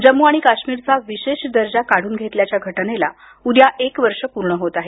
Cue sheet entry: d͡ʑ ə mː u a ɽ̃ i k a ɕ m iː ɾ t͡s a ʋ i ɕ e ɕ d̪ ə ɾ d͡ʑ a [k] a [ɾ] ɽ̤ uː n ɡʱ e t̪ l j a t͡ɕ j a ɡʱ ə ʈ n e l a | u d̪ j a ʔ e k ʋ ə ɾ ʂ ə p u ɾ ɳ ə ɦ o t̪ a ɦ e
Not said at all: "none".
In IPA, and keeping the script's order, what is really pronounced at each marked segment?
k, none

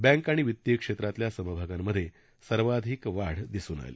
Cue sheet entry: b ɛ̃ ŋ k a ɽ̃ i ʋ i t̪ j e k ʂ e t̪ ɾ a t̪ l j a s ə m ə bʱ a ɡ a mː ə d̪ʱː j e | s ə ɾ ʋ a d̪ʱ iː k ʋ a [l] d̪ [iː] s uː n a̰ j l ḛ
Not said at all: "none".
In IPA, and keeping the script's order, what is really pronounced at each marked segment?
ɽ, i

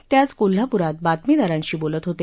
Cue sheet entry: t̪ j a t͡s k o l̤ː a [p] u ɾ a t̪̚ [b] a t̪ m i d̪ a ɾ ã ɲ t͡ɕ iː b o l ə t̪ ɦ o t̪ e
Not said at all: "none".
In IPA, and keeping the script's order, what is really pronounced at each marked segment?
p, b

